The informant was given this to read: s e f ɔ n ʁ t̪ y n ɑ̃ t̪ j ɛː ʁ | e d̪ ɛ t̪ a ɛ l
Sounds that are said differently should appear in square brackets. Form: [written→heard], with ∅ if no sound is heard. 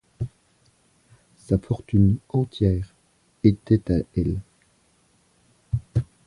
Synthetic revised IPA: s [e→a] f ɔ [n→∅] ʁ t̪ y n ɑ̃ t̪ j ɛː ʁ | e [d̪→t̪] ɛ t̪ a ɛ l

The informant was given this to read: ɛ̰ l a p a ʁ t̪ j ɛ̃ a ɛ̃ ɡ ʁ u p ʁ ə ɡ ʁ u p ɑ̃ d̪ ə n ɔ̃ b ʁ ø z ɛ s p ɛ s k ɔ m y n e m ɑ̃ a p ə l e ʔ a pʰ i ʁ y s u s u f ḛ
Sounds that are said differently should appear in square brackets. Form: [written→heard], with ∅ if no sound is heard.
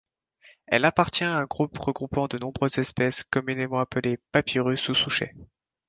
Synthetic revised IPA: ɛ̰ l a p a ʁ t̪ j ɛ̃ a ɛ̃ ɡ ʁ u p ʁ ə ɡ ʁ u p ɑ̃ d̪ ə n ɔ̃ b ʁ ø z ɛ s p ɛ s k ɔ m y n e m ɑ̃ a p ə l e [ʔ→p] a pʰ i ʁ y s u s u [f→ʃ] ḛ

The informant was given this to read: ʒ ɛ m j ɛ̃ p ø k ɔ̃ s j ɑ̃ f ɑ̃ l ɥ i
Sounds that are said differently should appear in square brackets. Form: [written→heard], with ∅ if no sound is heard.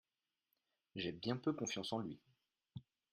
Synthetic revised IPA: ʒ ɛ [m→b] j ɛ̃ p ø k ɔ̃ [s→f] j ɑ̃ [f→s] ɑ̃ l ɥ i

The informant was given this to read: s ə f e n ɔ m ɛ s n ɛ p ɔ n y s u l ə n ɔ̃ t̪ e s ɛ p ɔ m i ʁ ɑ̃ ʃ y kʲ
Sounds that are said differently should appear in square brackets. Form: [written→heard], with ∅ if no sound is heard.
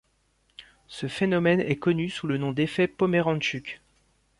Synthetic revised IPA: s ə f e n ɔ m ɛ [s→∅] n ɛ [p→k] ɔ n y s u l ə n ɔ̃ [t̪→d̪] e [s→f] ɛ p ɔ m [i→e] ʁ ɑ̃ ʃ y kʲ

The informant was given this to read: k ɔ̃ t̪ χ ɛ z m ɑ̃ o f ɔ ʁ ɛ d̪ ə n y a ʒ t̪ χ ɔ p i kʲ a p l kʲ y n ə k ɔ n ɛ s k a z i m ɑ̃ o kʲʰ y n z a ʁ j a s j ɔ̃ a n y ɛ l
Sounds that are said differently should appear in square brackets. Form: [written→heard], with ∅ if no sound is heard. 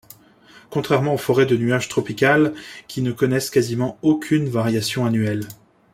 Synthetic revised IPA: k ɔ̃ t̪ χ ɛ [z→ʁ] m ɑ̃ o f ɔ ʁ ɛ d̪ ə n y a ʒ t̪ χ ɔ p i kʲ a [p→∅] l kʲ [y→i] n ə k ɔ n ɛ s k a z i m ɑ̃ o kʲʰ y n [z→v] a ʁ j a s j ɔ̃ a n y ɛ l

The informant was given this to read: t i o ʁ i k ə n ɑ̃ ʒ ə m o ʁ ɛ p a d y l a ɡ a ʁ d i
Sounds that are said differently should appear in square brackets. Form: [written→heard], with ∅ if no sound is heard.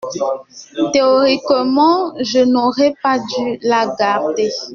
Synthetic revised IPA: t [i→e] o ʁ i k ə [n→m] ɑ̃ ʒ ə [m→n] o ʁ ɛ p a d y l a ɡ a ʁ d [i→e]

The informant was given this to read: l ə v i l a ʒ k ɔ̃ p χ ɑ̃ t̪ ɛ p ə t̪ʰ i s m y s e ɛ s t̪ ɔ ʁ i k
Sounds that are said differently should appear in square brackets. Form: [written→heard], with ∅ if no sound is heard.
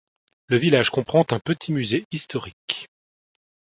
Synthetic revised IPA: l ə v i l a ʒ k ɔ̃ p χ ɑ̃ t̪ [ɛ→ɛ̃] p ə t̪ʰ i [s→∅] m y [s→z] e [ɛ→i] s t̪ ɔ ʁ i k

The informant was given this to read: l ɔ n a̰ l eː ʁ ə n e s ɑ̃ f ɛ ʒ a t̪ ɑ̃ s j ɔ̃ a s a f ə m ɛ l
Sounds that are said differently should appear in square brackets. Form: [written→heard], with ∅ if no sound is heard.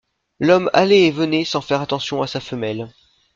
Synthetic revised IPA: l ɔ [n→m] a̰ l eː [ʁ→v] ə n e s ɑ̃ f ɛ [ʒ→ʁ] a t̪ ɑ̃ s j ɔ̃ a s a f ə m ɛ l

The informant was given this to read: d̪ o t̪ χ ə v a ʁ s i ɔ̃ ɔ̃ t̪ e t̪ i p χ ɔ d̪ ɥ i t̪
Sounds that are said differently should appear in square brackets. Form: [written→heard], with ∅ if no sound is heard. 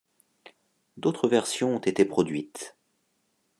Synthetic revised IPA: d̪ o t̪ χ ə v [a→ɛ] ʁ s [i→j] ɔ̃ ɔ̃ t̪ e t̪ [i→e] p χ ɔ d̪ ɥ i t̪

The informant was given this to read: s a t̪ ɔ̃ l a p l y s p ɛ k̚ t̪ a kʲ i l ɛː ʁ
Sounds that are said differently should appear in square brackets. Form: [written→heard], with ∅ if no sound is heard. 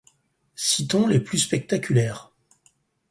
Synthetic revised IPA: s [a→i] t̪ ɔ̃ l [a→e] p l y s p ɛ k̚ t̪ a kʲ [i→y] l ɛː ʁ

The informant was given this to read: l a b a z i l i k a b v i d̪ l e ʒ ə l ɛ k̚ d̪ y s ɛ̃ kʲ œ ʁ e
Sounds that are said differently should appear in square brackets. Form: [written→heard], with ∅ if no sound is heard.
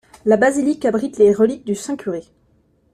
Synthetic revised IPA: l a b a z i l i k a b [v→ʁ] i [d̪→t̪] l e [ʒ→ʁ] ə l [ɛ→i] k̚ d̪ y s ɛ̃ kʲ [œ→y] ʁ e

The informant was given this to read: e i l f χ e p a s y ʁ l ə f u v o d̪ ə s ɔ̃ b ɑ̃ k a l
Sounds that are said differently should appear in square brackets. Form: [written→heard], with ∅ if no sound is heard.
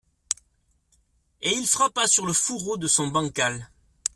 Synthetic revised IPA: e i l f χ [e→a] p a s y ʁ l ə f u [v→ʁ] o d̪ ə s ɔ̃ b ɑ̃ k a l

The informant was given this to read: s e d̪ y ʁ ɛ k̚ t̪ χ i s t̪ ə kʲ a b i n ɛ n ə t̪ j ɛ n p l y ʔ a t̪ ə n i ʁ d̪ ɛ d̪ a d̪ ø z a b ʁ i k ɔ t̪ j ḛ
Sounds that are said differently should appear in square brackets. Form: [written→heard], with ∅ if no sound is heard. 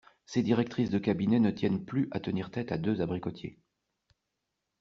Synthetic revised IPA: s e d̪ [y→i] ʁ ɛ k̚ t̪ χ i s [t̪→d̪] ə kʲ a b i n ɛ n ə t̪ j ɛ n p l y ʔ a t̪ ə n i ʁ [d̪→t̪] ɛ [d̪→t̪] a d̪ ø z a b ʁ i k ɔ t̪ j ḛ

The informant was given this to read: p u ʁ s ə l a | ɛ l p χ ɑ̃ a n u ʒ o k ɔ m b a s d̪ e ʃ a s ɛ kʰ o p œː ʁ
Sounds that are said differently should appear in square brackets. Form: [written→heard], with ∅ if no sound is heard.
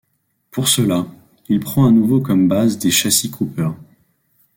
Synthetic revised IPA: p u ʁ s ə l a | [ɛ→i] l p χ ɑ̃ a n u [ʒ→v] o k ɔ m b a [s→z] d̪ e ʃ a s [ɛ→i] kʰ [o→u] p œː ʁ

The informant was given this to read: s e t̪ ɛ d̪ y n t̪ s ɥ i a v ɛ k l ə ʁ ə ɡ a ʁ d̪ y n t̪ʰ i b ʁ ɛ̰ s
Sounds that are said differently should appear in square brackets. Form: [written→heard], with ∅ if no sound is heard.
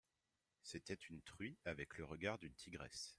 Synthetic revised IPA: s e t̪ ɛ [d̪→t̪] y n t̪ [s→χ] ɥ i a v ɛ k l ə ʁ ə ɡ a ʁ d̪ y n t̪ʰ i [b→ɡ] ʁ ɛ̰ s

